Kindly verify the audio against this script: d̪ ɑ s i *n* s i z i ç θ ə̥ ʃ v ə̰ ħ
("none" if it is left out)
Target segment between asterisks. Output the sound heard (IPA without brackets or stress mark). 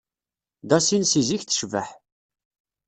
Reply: n